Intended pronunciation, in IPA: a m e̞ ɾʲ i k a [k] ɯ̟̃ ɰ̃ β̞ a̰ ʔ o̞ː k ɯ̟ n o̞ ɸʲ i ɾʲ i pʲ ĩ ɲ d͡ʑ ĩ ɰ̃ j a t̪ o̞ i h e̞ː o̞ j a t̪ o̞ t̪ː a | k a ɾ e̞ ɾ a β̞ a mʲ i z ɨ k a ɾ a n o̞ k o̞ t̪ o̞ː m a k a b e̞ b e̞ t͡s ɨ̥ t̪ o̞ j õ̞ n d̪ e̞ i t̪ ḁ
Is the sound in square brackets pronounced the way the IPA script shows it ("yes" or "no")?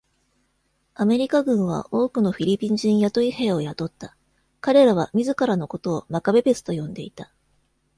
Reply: no